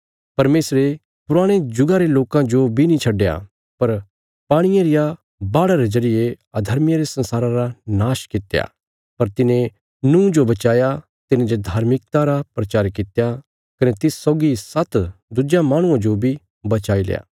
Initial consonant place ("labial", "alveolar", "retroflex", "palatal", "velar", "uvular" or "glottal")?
labial